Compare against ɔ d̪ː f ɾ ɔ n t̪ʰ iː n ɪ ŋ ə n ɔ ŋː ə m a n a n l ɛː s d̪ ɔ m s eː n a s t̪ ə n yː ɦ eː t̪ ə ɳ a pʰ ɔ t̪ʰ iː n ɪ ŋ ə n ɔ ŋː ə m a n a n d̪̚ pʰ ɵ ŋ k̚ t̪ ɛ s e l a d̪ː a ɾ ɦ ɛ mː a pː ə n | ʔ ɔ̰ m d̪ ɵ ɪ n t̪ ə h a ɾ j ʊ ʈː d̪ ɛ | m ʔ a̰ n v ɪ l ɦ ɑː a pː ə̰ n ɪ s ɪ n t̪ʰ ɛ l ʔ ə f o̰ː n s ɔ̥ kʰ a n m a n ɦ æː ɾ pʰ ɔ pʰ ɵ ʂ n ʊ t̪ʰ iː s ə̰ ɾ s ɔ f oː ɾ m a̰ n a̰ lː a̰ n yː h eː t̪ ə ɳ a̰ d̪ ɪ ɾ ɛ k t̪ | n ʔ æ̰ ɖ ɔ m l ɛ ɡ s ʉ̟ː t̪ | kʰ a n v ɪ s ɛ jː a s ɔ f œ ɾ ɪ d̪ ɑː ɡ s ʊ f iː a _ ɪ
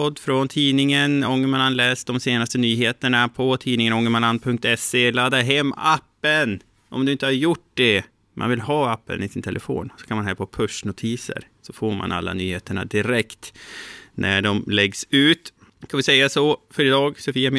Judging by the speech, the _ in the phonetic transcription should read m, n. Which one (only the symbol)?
m